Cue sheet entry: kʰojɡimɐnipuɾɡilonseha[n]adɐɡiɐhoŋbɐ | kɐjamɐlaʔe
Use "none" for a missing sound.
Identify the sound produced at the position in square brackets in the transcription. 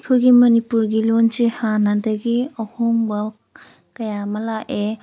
n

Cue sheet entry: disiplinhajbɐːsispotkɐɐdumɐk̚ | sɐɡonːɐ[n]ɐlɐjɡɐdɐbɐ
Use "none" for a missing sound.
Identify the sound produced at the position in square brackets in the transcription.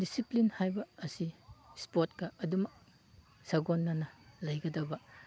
n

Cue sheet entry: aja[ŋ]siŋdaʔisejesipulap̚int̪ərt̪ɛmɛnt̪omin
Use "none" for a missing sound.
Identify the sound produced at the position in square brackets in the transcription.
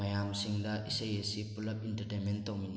m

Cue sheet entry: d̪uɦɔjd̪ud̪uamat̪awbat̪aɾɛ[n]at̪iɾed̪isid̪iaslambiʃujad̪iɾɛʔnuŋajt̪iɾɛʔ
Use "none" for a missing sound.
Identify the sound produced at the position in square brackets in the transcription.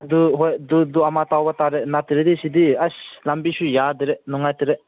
n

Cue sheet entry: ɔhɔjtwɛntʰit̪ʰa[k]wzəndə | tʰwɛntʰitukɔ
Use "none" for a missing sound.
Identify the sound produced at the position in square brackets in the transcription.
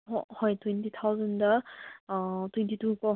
none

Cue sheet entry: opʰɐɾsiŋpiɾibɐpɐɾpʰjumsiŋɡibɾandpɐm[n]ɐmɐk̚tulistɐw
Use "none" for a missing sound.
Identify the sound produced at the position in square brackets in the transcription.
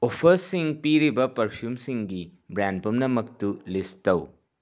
n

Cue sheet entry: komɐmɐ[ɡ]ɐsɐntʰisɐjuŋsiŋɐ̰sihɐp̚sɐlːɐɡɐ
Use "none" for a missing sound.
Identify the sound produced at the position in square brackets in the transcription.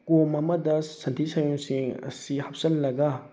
d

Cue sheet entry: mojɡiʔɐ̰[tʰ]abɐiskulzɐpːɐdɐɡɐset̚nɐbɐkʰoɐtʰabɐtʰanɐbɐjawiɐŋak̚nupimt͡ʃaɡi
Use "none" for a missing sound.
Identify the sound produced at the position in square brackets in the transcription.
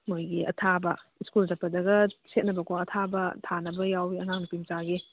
tʰ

